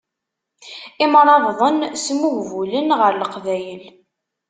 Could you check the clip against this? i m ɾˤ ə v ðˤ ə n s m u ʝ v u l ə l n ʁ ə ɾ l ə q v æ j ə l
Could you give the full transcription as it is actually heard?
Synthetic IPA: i m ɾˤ ɑ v ðˤ ə n s m u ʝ v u l ə n ʁ ə ɾ l ə q v æ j ə l